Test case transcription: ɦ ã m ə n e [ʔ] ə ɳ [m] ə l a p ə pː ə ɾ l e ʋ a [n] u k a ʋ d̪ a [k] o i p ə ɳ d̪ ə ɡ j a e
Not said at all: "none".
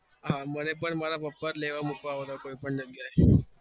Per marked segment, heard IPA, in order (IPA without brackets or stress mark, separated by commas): p, m, m, k